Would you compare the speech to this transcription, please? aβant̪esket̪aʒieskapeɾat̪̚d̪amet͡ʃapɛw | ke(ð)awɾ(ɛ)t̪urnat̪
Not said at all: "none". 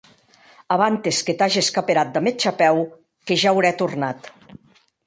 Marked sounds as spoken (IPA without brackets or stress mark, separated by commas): ʒ, ɛ